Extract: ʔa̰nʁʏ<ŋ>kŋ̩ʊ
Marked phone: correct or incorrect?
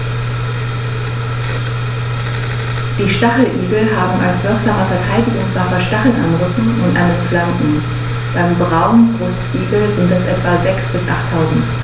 incorrect